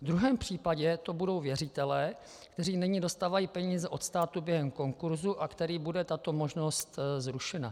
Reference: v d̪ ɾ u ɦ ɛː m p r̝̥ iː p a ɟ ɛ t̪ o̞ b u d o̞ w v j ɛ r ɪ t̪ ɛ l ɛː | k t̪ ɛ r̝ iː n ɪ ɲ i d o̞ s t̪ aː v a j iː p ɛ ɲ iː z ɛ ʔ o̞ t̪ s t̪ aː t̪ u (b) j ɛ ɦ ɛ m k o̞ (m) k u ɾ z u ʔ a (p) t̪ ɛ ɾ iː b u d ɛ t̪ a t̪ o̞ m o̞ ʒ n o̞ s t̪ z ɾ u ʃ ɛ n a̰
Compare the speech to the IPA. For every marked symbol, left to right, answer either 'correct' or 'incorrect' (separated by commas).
correct, incorrect, incorrect